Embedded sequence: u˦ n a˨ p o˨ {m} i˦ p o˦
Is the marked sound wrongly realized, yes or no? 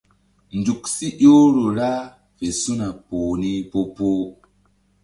yes